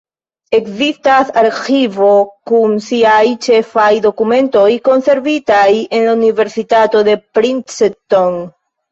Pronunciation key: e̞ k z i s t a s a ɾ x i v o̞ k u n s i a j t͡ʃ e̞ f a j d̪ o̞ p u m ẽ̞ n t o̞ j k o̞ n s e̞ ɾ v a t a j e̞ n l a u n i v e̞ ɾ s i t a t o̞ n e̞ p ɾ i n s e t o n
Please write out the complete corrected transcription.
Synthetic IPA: e̞ k z i s t a s a ɾ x i v o̞ k u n s i a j t͡ʃ e̞ f a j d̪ o̞ k u m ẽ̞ n t o̞ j k o̞ n s e̞ ɾ v i t a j e̞ n l a u n i v e̞ ɾ s i t a t o̞ d e̞ p ɾ i n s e t o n